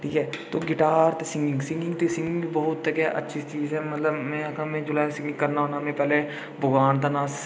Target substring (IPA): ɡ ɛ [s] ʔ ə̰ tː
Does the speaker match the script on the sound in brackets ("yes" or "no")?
no